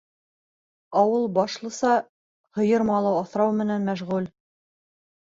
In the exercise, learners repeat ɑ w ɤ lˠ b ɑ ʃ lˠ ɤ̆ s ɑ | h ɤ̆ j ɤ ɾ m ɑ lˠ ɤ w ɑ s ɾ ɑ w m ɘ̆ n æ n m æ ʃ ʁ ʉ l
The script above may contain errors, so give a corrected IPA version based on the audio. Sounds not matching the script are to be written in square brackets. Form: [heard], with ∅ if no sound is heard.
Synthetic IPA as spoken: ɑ w ɤ lˠ b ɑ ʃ lˠ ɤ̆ s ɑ | h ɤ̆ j ɤ ɾ m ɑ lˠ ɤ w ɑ [θ] ɾ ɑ w m ɘ̆ n æ n m æ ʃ ʁ ʉ l